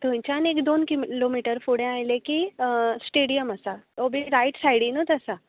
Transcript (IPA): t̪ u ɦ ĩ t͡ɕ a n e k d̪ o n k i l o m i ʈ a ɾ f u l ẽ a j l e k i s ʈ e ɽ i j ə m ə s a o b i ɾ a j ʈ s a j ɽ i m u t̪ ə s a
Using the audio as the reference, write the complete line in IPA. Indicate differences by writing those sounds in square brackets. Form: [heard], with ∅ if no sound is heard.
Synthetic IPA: t̪ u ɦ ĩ t͡ɕ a n e k d̪ o n k i l o m i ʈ [ə] ɾ f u [ɽ] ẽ a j l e k i s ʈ e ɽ i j ə m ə s a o b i ɾ a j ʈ s a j ɽ i [n] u t̪ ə s a